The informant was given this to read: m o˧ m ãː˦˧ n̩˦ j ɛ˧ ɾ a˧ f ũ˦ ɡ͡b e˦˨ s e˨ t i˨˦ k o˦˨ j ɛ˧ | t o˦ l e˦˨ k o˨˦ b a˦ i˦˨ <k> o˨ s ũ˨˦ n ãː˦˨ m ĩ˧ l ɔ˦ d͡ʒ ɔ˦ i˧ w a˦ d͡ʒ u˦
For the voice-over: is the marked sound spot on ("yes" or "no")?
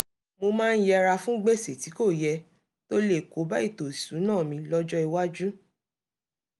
no